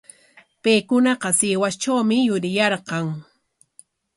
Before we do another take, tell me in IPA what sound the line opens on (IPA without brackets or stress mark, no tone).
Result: p